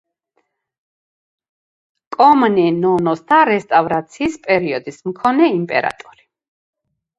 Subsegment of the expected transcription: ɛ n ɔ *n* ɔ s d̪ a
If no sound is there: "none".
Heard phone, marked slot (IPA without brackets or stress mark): n